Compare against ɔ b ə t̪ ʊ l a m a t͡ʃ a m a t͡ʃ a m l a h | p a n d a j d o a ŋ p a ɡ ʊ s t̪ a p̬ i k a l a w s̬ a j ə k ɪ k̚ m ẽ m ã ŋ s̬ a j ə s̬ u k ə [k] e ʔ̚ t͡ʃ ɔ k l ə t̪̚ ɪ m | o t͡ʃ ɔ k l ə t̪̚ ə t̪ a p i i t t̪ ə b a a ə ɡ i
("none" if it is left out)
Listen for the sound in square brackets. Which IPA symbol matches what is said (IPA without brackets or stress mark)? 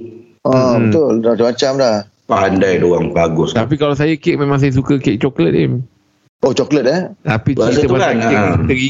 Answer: k